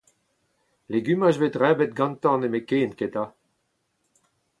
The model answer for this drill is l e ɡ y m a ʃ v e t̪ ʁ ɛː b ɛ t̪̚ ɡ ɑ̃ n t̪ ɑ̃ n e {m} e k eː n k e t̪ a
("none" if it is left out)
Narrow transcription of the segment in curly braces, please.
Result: m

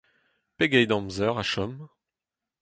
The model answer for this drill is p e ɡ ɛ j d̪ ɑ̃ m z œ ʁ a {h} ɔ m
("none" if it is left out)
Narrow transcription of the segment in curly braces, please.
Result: ʃ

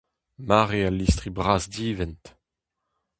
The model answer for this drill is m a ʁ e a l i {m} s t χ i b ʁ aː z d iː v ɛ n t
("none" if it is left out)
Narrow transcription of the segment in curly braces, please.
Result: none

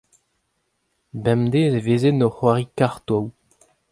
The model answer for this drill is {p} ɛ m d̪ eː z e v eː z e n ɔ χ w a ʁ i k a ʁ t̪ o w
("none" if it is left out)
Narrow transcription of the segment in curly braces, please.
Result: b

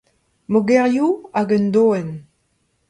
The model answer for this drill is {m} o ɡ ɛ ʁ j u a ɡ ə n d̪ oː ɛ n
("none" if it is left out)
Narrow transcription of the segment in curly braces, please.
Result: m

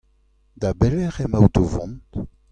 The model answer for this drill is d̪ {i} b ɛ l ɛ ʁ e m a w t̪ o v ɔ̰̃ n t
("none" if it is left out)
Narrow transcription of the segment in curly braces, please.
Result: a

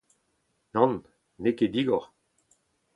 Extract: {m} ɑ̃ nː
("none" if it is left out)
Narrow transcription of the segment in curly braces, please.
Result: n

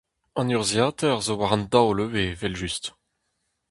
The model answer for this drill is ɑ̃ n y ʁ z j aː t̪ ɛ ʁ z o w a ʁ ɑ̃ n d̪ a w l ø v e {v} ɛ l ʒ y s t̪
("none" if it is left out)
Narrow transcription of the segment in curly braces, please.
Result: v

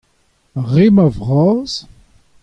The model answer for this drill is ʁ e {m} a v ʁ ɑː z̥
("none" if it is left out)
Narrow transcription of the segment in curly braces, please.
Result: m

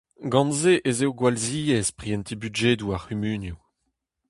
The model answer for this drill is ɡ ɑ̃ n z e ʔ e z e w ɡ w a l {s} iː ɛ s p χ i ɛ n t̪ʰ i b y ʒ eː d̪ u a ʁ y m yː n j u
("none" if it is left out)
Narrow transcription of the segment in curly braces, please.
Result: z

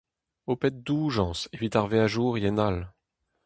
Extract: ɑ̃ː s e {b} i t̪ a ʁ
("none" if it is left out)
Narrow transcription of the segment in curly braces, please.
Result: v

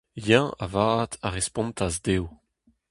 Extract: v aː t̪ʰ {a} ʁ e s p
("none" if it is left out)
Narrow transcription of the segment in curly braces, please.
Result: a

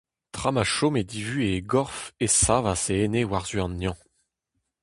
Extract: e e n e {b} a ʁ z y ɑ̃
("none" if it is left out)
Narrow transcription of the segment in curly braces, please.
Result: w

